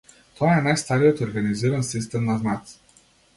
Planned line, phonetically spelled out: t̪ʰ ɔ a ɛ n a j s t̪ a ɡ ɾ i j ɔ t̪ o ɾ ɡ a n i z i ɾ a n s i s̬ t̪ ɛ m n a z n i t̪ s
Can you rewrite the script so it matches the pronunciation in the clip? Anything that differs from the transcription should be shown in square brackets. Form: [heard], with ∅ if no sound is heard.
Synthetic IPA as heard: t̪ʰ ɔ a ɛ n a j s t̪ a [∅] ɾ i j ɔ t̪ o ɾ ɡ a n i z i ɾ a n s i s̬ t̪ ɛ m n a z n [a] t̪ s